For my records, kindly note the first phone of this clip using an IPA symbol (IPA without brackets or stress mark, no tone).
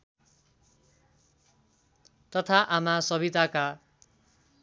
t̪